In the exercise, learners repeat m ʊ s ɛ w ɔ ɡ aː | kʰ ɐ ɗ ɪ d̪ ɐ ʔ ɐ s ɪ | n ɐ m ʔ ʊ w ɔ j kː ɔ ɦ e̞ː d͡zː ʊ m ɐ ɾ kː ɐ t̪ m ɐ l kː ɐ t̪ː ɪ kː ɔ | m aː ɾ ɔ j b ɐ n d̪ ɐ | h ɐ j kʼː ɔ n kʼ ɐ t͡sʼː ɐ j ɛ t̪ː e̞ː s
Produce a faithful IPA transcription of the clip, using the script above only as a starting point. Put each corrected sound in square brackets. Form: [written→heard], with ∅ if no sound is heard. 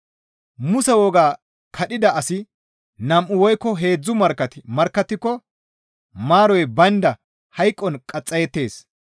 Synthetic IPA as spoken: m ʊ s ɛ w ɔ ɡ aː | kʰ ɐ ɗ ɪ d̪ ɐ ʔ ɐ s ɪ | n ɐ m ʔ ʊ w ɔ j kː ɔ ɦ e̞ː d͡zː ʊ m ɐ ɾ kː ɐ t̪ m ɐ [l→ɾ] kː ɐ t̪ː ɪ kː ɔ | m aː ɾ ɔ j b ɐ n d̪ ɐ | h ɐ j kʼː ɔ n kʼ ɐ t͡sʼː ɐ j ɛ t̪ː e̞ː s

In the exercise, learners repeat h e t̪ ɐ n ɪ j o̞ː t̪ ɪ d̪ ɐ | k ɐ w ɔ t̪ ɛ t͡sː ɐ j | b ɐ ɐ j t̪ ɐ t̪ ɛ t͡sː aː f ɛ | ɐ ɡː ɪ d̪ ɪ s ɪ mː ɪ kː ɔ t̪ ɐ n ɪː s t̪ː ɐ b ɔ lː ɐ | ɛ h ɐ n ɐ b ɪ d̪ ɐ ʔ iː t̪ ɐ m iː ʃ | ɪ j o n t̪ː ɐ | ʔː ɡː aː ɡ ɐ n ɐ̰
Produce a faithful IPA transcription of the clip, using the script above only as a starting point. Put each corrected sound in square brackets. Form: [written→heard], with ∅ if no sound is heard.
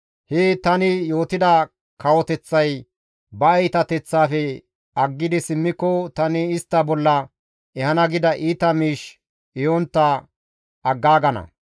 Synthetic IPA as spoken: h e t̪ ɐ n ɪ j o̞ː t̪ ɪ d̪ ɐ | k ɐ w ɔ t̪ ɛ t͡sː ɐ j | b ɐ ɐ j t̪ ɐ t̪ ɛ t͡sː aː f ɛ | ɐ ɡː ɪ d̪ ɪ s ɪ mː ɪ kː ɔ t̪ ɐ n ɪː s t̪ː ɐ b ɔ lː ɐ | ɛ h ɐ n ɐ [b→ɡ] ɪ d̪ ɐ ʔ iː t̪ ɐ m iː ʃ | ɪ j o n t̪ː ɐ | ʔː ɡː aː ɡ ɐ n ɐ̰

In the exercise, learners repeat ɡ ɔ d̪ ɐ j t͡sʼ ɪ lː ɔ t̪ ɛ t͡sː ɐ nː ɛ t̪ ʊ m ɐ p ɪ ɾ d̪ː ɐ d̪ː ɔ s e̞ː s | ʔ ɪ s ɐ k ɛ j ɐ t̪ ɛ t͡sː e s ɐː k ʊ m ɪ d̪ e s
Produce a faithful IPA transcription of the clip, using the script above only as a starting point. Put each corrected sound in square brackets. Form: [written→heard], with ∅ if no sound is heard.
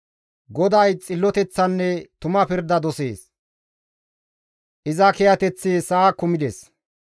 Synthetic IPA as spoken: ɡ ɔ d̪ ɐ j t͡sʼ ɪ lː ɔ t̪ ɛ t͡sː ɐ nː ɛ t̪ ʊ m ɐ p ɪ ɾ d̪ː ɐ [d̪ː→d̪] ɔ s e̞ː s | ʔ ɪ [s→z] ɐ k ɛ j ɐ t̪ ɛ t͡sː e s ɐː k ʊ m ɪ d̪ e s

